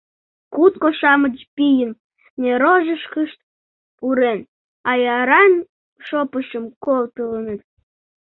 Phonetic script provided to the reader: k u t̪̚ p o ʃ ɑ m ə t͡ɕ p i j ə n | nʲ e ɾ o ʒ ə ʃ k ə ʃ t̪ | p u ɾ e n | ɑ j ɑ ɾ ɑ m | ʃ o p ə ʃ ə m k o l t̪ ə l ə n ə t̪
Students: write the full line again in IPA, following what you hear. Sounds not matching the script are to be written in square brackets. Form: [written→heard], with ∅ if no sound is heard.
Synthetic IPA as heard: k u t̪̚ [p→k] o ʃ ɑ m ə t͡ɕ p i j ə n | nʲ e ɾ o ʒ ə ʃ k ə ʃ t̪ | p u ɾ e n | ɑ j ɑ ɾ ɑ [m→n] | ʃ o p ə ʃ ə m k o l t̪ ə l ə n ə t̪